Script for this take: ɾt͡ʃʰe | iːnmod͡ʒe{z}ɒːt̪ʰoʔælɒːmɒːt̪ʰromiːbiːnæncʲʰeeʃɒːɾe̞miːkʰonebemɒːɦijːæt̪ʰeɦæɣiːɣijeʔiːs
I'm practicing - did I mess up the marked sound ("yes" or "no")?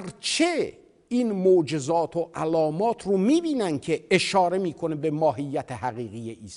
no